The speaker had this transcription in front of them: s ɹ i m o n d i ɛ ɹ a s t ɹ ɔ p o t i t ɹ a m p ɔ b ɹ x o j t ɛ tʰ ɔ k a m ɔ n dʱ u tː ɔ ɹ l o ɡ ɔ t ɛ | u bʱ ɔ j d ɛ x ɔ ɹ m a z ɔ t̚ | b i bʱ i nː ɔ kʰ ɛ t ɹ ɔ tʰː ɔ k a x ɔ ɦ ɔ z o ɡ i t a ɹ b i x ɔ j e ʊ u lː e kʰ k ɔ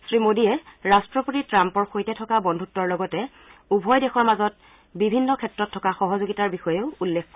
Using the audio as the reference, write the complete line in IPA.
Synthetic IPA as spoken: s ɹ i m o d i ɛ ɹ a s t ɹ ɔ p o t i t ɹ a m p ɔ ɹ x o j t ɛ tʰ ɔ k a b ɔ n dʱ u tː ɔ ɹ l ɔ ɡ ɔ t ɛ | u bʱ ɔ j d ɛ x ɔ ɹ m a z ɔ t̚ | b i bʱ i nː ɔ kʰ ɛ t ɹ ɔ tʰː ɔ k a x ɔ ɦ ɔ z o ɡ i t a ɹ b i x ɔ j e ʊ u lː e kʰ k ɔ